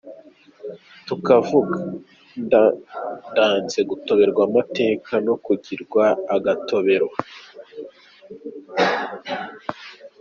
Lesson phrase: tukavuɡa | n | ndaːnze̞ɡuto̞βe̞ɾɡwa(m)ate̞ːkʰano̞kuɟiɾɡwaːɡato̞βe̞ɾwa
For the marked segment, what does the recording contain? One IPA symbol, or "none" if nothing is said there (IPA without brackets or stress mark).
m